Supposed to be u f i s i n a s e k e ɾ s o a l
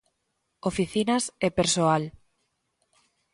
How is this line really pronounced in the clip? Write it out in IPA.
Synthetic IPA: o f i θ i n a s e p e ɾ s o a l

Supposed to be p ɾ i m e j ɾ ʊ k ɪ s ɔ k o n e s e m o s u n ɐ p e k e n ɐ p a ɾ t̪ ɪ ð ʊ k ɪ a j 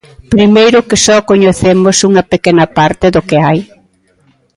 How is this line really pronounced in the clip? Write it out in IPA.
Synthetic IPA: p ɾ i m e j ɾ ʊ k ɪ s ɔ k o ɲ e θ e m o s u ŋ ɐ p e k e n ɐ p a ɾ t̪ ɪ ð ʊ k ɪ a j

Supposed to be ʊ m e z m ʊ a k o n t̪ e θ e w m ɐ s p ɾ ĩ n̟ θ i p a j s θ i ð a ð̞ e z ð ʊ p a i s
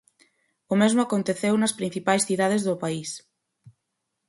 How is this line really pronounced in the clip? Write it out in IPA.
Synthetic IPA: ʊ m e z m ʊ a k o n t̪ e θ e w n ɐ s p ɾ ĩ n̟ θ i p a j s θ i ð a ð̞ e z ð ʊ p a i s

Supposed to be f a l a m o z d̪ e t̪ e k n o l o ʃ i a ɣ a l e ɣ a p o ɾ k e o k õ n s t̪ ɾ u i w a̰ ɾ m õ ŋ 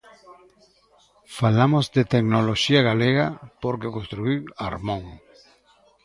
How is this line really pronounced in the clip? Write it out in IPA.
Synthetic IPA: f a l a m o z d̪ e t̪ e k n o l o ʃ i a ɣ a l e ɣ a p o ɾ k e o k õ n s t̪ ɾ u i w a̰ ɾ m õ ŋ

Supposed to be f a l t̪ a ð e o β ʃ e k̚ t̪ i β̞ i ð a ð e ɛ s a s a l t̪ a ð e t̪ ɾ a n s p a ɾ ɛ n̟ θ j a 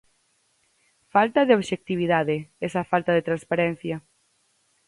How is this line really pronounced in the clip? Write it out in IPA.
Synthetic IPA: f a l t̪ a ð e o β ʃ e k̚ t̪ i β̞ i ð a ð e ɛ s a f a l t̪ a ð e t̪ ɾ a n s p a ɾ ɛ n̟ θ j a

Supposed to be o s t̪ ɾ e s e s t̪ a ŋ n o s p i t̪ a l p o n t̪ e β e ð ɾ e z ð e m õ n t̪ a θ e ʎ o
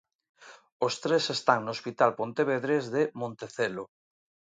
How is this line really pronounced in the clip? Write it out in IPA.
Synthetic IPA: o s t̪ ɾ e s e s t̪ a ŋ n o s p i t̪ a l p o n t̪ e β e ð ɾ e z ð e m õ n t̪ e θ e l o

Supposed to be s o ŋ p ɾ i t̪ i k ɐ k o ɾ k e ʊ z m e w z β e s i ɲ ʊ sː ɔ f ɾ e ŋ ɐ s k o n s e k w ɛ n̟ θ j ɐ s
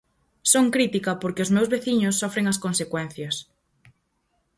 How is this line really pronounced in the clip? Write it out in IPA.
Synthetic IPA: s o ŋ k ɾ i t̪ i k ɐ p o ɾ k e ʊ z m e w z β e θ i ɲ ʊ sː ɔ f ɾ e ŋ ɐ s k o n s e k w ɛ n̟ θ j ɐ s

